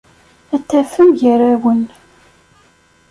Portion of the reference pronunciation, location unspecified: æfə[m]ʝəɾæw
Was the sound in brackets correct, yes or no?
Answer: yes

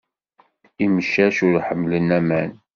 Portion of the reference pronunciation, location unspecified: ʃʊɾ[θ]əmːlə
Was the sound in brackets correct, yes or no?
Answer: no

